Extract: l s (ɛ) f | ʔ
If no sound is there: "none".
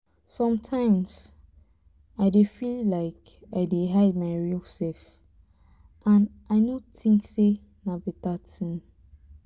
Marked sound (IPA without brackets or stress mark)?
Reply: ɛ